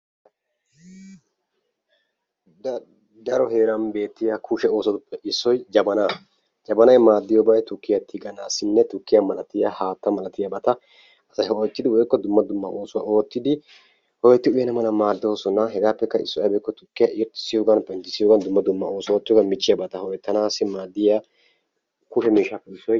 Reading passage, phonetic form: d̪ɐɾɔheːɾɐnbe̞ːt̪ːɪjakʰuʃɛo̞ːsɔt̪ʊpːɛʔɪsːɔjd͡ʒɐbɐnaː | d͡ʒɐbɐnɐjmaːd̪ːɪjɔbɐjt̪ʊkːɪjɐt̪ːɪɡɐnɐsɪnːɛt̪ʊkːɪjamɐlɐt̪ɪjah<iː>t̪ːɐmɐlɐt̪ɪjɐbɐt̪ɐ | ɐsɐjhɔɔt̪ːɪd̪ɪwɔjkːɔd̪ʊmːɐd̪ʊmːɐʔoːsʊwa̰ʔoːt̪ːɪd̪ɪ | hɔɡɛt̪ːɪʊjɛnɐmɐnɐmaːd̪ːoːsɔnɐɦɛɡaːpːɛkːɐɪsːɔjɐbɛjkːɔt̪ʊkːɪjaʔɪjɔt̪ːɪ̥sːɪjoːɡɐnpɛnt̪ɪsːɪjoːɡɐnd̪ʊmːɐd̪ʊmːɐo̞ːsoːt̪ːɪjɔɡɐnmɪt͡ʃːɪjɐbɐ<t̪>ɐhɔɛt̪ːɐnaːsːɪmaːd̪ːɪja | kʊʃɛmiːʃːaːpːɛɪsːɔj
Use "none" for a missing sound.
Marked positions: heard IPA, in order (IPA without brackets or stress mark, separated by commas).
aː, t̪